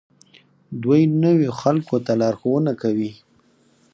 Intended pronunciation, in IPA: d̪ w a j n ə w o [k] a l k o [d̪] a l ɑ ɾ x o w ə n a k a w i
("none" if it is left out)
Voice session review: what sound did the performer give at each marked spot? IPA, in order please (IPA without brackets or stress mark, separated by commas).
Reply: x, t̪